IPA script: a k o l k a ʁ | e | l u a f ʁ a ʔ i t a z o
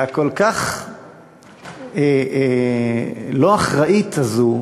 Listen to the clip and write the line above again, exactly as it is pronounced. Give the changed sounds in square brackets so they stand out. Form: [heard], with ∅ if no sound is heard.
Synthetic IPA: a k o l k a [χ] | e | l [o] a [χ] ʁ a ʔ i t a z [u]